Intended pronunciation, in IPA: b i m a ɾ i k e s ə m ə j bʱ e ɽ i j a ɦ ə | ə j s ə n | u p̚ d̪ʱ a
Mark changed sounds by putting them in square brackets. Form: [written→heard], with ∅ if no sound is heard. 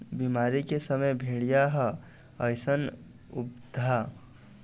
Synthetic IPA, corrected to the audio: b i m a ɾ i k e s ə m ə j bʱ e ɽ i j a ɦ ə | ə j s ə n | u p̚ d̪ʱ a